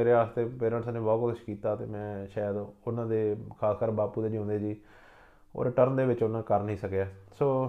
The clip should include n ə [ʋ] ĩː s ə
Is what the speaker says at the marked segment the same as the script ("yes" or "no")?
no